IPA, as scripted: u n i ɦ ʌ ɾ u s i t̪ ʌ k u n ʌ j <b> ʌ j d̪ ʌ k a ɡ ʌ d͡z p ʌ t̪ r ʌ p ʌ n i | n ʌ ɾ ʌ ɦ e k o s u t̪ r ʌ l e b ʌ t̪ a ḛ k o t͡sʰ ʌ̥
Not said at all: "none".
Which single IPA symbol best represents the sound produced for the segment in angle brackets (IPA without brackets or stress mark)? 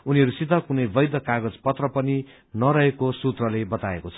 b